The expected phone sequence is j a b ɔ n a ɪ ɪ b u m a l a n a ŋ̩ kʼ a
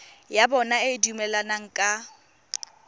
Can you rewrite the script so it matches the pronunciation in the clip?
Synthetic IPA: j a b ɔ n a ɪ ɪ d u m ɛ l a n a ŋ̩ kʼ a